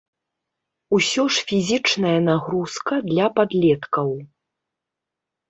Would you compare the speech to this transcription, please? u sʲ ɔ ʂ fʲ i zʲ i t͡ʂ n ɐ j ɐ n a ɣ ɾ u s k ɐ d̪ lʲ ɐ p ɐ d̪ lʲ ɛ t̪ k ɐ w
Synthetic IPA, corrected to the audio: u sʲ ɔ ʂ fʲ i zʲ i t͡ʂ n ɐ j ɐ n a ɣ ɾ u s k ɐ d̪ lʲ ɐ p a d̪ lʲ ɛ t̪ k ɐ w